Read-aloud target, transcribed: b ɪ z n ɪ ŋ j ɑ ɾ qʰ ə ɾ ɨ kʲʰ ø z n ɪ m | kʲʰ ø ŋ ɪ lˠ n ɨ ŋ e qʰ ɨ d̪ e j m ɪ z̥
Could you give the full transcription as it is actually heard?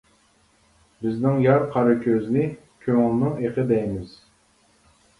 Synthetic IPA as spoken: b ɪ z n ɪ ŋ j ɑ ɾ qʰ ɑ ɾ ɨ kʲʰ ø z n ɪ | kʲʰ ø ŋ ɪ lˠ n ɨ ŋ e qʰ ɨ d̪ ɛ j m ɪ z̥